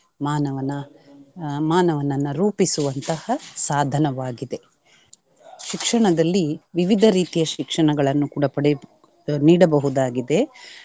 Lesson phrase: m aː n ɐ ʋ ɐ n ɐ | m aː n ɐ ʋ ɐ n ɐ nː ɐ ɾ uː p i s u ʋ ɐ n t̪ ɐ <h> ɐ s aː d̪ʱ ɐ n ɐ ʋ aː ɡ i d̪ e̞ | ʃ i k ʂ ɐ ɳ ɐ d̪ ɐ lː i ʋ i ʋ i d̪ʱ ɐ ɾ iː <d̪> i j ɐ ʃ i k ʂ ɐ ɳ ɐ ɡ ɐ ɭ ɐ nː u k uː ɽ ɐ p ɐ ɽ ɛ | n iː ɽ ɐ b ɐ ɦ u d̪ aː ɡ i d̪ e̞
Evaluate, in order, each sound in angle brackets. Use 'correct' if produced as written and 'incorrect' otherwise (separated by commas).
correct, incorrect